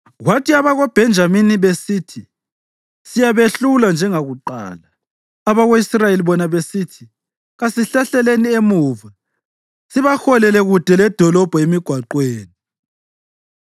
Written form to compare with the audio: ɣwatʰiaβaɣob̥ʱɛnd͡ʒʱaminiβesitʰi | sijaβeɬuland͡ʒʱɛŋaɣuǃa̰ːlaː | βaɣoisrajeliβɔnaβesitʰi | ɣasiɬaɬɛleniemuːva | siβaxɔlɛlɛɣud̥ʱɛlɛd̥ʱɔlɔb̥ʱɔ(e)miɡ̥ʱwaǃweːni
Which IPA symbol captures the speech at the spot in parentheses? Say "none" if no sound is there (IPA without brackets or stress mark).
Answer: e